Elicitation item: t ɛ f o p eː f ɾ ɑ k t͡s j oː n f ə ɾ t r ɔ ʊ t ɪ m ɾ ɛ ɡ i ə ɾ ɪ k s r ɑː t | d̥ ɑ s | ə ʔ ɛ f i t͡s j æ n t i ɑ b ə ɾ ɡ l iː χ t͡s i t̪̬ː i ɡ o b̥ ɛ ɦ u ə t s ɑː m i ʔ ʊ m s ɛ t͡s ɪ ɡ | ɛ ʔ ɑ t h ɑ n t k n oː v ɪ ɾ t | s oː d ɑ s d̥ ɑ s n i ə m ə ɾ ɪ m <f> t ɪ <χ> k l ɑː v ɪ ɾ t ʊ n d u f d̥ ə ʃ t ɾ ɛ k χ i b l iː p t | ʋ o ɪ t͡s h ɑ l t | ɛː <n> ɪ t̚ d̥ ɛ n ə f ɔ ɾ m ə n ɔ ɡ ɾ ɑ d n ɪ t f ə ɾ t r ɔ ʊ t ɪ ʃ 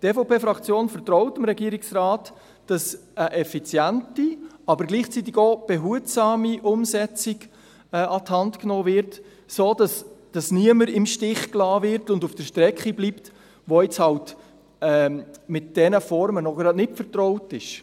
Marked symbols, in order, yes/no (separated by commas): no, yes, no